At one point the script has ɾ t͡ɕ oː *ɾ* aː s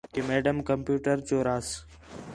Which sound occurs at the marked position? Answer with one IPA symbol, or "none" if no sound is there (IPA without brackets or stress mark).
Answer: ɾ